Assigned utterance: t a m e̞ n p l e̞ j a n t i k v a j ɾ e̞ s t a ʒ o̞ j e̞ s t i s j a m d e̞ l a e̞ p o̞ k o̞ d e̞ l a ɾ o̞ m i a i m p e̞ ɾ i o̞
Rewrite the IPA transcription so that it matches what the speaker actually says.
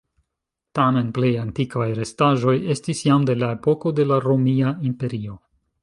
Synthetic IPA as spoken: t a m e̞ n p l e̞ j a n t i k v a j ɾ e̞ s t a ʒ o̞ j e̞ s t i s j a m d e̞ l a e̞ p o̞ k o̞ d e̞ l a ɾ o̞ m i a i m p e̞ ɾ i o̞